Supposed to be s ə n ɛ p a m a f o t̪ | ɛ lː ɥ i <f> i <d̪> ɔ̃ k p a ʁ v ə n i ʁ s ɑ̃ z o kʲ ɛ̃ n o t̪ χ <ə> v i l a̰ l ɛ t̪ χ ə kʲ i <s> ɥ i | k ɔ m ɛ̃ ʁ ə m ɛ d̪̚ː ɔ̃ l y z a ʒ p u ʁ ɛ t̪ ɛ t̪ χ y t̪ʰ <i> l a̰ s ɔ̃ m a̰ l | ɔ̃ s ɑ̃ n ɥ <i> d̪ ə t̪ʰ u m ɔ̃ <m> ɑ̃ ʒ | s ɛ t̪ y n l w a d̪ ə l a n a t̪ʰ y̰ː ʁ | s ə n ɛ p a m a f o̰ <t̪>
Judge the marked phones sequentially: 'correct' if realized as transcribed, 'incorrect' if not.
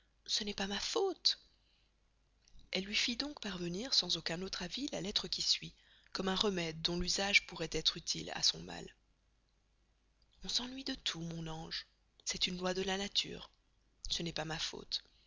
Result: correct, correct, incorrect, correct, correct, correct, incorrect, correct

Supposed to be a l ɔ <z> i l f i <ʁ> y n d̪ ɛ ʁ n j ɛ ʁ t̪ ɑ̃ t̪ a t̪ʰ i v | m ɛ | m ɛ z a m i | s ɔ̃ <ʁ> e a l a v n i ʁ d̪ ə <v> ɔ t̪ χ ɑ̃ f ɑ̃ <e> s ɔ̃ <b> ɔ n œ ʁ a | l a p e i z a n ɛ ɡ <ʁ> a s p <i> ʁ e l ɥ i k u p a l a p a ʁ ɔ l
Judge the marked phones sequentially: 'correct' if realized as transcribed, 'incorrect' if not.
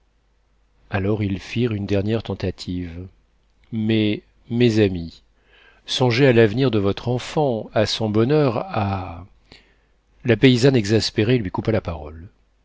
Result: incorrect, correct, incorrect, correct, incorrect, correct, incorrect, incorrect

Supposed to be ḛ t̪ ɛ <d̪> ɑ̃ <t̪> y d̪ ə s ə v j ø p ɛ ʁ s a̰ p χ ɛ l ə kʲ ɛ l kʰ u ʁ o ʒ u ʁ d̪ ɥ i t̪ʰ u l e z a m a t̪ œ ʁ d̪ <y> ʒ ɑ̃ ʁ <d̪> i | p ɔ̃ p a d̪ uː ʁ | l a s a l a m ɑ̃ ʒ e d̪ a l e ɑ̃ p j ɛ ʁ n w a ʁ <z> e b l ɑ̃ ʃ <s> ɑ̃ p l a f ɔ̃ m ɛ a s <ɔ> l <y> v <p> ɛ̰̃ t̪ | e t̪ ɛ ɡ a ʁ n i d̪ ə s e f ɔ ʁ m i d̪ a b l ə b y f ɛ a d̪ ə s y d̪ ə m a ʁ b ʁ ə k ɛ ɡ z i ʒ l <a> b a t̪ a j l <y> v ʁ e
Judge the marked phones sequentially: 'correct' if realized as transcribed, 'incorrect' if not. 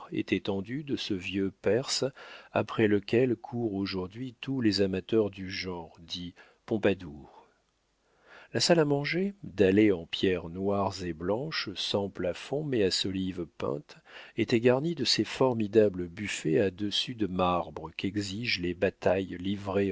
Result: incorrect, incorrect, correct, correct, correct, correct, correct, incorrect, correct, incorrect, incorrect

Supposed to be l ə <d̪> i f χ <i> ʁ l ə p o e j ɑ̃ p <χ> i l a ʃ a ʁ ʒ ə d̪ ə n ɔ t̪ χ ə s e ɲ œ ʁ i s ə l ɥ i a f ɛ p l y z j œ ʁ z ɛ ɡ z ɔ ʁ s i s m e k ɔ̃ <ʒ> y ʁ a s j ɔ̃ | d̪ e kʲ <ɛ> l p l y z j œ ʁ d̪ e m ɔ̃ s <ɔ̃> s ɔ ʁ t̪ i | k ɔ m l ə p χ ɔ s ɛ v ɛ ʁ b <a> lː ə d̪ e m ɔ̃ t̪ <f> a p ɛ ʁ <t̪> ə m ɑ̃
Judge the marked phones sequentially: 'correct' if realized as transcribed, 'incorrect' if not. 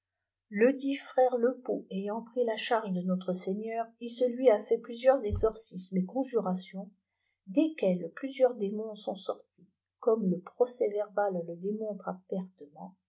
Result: correct, incorrect, correct, correct, correct, correct, correct, incorrect, correct

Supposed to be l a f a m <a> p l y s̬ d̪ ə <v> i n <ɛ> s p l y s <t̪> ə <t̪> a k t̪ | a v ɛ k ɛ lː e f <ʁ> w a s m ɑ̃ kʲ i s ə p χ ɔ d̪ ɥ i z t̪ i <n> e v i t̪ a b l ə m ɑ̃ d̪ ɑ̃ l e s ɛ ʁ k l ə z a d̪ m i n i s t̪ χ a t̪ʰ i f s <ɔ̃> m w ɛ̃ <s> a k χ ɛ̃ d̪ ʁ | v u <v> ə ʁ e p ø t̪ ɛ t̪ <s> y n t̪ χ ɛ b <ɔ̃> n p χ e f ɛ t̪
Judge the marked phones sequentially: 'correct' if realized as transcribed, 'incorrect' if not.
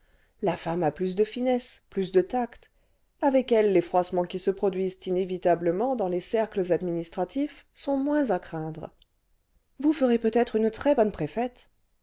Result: correct, incorrect, correct, incorrect, correct, incorrect, correct, correct, incorrect, incorrect, incorrect, incorrect

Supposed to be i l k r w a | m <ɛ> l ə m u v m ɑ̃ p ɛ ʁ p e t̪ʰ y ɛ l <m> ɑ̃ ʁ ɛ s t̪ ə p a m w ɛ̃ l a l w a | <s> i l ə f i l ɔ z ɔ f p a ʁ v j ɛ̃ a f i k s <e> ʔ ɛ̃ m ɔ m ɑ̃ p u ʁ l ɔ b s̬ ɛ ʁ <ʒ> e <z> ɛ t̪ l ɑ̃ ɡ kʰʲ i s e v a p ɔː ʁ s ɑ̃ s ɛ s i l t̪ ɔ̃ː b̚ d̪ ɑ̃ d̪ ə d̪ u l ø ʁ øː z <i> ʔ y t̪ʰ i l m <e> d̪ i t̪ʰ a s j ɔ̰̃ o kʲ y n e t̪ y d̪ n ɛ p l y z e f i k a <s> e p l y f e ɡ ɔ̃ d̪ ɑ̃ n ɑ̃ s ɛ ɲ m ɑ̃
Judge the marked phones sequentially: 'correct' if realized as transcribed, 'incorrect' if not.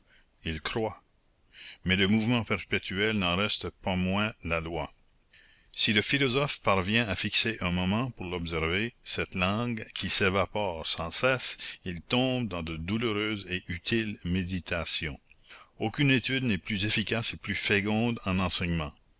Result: correct, incorrect, correct, correct, incorrect, incorrect, incorrect, correct, correct

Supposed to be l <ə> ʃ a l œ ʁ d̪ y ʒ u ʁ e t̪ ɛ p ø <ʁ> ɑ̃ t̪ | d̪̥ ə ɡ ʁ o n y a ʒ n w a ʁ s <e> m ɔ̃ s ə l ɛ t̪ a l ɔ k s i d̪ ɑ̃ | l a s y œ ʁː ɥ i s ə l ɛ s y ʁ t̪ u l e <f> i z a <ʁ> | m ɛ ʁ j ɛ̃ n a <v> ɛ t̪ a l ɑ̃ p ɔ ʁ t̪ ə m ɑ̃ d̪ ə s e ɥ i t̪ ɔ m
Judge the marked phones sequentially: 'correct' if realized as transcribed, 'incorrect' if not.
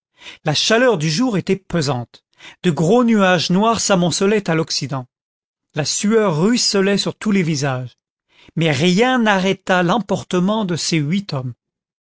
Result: incorrect, incorrect, incorrect, incorrect, incorrect, incorrect

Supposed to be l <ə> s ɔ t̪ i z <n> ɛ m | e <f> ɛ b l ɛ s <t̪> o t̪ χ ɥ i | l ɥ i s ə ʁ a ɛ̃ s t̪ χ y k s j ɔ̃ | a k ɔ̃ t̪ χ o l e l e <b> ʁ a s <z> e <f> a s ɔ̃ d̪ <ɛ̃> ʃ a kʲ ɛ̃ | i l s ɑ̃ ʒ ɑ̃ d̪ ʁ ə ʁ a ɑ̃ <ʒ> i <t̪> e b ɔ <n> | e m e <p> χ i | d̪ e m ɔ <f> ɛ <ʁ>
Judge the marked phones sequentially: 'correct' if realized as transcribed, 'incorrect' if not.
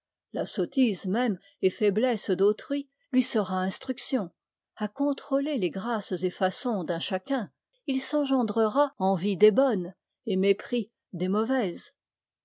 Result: incorrect, incorrect, correct, incorrect, incorrect, correct, correct, correct, incorrect, incorrect, correct, correct, incorrect, incorrect

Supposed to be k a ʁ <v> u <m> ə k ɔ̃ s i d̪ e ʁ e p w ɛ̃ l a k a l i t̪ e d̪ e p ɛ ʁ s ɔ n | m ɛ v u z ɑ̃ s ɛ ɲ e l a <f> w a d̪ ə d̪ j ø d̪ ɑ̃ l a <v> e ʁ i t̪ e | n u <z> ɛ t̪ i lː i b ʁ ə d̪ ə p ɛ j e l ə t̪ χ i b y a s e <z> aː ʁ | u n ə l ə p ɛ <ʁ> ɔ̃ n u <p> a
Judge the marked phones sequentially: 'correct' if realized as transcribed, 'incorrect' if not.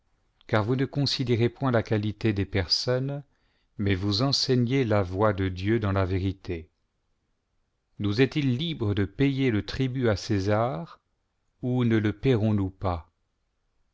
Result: correct, incorrect, incorrect, correct, correct, correct, correct, correct

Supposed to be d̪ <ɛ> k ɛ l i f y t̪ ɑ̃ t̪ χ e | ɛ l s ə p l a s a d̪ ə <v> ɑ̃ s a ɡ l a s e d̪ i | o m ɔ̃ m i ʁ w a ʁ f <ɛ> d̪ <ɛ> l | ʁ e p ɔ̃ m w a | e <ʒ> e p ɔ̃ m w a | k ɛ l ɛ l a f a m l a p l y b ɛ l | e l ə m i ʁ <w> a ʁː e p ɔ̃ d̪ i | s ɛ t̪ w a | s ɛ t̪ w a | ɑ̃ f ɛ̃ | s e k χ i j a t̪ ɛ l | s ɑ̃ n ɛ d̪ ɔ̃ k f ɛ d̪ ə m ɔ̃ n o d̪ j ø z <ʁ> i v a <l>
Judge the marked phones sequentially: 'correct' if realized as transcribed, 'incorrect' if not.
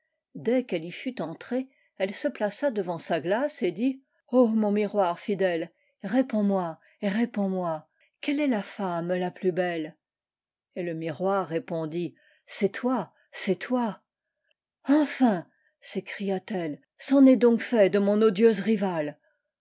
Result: correct, correct, incorrect, correct, incorrect, correct, correct, correct

